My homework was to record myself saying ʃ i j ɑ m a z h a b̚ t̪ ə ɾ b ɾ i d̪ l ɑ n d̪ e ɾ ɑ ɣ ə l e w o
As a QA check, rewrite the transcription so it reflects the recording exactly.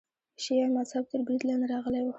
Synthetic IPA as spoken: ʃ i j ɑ m a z h a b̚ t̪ ə ɾ b ɾ i d̪ l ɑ n d̪ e ɾ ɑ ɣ ə l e w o

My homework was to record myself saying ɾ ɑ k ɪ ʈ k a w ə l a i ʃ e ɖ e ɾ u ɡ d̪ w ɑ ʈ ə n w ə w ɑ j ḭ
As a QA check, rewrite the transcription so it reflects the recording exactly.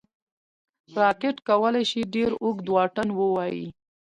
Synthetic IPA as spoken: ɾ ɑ k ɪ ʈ k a w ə l a j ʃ i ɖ e ɾ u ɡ d̪ w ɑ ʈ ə n w ə w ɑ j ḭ

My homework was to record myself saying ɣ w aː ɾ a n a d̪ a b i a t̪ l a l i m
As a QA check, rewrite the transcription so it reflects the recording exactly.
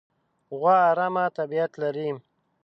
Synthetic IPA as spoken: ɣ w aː ɾ a m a t̪ a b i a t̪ l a ɾ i m

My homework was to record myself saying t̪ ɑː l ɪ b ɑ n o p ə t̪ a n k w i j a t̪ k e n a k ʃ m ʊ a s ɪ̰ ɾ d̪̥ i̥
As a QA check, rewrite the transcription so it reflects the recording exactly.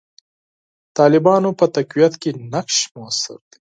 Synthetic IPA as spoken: t̪ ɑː l ɪ b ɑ n o p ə t̪ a k w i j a t̪ k e n a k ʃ m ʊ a s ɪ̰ ɾ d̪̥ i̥

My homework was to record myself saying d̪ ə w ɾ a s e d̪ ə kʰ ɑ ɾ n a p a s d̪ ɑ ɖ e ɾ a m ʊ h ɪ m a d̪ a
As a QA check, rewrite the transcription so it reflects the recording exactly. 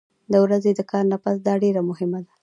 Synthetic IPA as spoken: d̪ ə w ɾ a z e d̪ ə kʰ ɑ ɾ n a p a s d̪ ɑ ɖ e ɾ a m ʊ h ɪ m a d̪ a

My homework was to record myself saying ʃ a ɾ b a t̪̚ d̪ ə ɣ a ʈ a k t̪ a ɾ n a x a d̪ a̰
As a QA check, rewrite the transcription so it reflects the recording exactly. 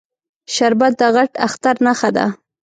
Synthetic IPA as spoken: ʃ a ɾ b a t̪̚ d̪ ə ɣ a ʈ a x t̪ a ɾ n a x a d̪ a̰

